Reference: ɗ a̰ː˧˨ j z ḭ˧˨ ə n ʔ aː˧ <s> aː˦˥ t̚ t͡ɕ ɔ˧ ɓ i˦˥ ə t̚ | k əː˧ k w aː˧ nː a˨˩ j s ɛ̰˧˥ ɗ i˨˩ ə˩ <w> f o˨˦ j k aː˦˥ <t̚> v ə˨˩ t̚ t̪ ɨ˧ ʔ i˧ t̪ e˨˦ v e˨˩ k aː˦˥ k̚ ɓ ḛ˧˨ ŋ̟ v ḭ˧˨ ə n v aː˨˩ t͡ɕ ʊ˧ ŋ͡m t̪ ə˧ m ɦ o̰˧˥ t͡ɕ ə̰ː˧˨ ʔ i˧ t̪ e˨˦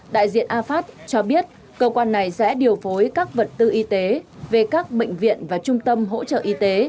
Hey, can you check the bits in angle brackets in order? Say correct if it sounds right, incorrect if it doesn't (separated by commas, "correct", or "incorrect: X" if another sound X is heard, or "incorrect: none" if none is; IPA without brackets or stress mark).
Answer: incorrect: f, correct, incorrect: k̚